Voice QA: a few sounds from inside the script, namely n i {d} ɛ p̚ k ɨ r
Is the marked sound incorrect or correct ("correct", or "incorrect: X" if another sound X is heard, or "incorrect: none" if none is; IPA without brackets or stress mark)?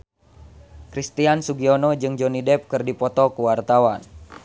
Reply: correct